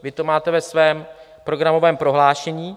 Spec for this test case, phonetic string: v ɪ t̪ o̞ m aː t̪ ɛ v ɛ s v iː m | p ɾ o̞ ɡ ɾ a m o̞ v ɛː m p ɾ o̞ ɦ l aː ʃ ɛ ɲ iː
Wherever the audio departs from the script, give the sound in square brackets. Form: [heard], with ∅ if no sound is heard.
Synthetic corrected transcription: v ɪ t̪ o̞ m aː t̪ ɛ v ɛ s v [ɛː] m | p ɾ o̞ ɡ ɾ a m o̞ v ɛː m p ɾ o̞ ɦ l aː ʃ ɛ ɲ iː